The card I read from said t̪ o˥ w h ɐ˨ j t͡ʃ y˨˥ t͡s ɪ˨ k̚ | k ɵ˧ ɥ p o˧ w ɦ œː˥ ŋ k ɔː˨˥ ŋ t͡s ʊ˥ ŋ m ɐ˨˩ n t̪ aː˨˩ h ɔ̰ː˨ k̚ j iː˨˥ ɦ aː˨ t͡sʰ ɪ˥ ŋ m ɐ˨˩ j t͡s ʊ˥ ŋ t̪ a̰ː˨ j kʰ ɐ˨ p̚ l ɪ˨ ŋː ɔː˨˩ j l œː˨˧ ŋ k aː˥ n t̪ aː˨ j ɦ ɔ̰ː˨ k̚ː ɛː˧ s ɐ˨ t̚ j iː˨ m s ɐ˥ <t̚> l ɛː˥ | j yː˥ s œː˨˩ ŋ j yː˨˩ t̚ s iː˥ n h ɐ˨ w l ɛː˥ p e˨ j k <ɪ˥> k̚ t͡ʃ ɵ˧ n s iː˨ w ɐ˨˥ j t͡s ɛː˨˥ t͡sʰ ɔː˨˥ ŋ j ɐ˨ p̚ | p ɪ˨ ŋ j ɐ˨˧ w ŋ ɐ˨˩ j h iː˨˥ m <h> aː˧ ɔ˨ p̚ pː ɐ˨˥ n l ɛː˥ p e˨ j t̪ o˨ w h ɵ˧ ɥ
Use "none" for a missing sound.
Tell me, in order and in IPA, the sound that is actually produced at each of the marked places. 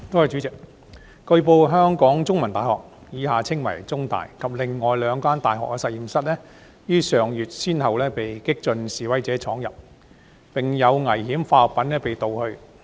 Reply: t̚, ɪ˥, f

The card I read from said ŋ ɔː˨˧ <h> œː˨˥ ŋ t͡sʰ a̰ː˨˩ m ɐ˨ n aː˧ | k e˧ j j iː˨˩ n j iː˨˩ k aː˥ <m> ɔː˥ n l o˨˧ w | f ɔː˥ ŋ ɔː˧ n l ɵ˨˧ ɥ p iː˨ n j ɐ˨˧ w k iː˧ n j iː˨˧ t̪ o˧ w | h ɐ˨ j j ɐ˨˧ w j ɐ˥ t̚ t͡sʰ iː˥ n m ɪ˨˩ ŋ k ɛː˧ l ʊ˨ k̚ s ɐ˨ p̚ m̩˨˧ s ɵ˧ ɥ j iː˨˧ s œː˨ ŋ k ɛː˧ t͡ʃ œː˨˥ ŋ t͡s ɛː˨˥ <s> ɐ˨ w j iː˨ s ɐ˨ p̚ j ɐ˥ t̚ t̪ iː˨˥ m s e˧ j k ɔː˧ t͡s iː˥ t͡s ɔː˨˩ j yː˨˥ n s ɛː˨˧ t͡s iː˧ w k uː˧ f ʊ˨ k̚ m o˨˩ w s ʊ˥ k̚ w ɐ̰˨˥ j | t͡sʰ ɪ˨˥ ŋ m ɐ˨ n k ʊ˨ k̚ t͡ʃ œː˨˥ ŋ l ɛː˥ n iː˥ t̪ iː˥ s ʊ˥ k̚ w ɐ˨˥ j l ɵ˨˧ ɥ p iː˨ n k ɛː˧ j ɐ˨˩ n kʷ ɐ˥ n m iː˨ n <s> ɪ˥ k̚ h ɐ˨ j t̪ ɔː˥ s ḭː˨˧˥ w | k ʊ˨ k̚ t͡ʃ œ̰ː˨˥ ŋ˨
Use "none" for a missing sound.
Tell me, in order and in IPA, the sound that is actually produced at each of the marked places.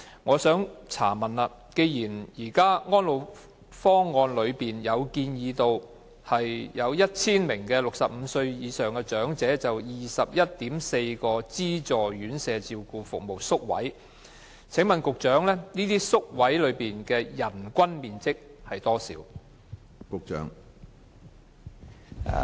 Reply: s, ŋ, t͡s, t͡s

